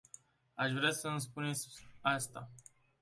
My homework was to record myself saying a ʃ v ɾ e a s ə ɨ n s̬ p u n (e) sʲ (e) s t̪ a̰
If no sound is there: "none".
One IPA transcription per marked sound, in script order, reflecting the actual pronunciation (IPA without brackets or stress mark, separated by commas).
e, a